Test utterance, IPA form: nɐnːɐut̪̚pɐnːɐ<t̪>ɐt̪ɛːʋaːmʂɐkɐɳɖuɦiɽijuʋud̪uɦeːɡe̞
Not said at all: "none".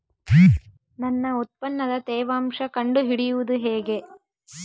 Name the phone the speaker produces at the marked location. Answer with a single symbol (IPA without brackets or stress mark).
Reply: d̪